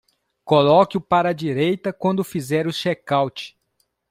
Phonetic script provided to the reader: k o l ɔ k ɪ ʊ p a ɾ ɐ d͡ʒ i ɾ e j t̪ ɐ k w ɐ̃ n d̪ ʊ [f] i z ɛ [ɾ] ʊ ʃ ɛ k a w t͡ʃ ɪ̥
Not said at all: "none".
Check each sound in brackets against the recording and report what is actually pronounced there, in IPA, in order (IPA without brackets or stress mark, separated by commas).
f, ɾ